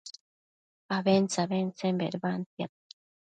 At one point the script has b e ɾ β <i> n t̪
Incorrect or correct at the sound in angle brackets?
incorrect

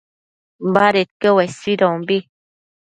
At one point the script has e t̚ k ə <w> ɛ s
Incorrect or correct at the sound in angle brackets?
correct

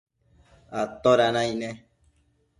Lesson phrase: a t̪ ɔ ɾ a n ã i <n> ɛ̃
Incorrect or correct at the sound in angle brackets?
correct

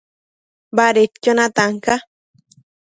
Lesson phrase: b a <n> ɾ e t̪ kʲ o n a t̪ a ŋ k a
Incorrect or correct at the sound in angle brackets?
incorrect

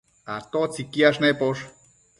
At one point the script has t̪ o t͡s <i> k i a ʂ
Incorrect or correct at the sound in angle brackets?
correct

